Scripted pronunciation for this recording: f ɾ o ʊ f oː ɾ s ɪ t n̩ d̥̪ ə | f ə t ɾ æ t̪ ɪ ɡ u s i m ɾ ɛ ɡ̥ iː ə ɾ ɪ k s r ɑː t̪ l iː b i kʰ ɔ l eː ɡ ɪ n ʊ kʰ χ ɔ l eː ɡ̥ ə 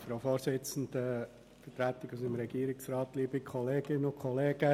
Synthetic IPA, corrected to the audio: f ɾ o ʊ f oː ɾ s ɪ t͡s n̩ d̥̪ ə | f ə t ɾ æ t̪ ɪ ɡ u s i m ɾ ɛ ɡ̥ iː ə ɾ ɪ k s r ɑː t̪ l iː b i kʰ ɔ l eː ɡ ɪ n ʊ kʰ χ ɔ l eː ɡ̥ ə